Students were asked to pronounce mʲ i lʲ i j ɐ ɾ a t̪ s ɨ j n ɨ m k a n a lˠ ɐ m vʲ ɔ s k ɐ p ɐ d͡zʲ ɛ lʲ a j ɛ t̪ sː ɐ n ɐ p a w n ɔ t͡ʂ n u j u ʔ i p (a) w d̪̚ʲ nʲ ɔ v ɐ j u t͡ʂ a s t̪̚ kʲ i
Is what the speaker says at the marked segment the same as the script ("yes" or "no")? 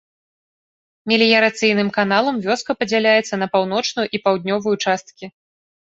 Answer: yes